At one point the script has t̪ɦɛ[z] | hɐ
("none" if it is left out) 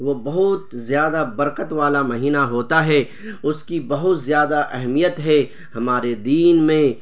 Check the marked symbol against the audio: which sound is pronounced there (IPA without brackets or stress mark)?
none